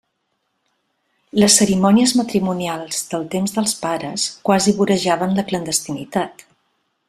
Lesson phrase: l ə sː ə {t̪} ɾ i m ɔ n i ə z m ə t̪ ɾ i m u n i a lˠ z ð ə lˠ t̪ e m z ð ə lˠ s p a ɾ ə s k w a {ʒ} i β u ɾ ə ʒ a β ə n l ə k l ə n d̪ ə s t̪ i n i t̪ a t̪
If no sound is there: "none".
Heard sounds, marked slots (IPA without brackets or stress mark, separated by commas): none, z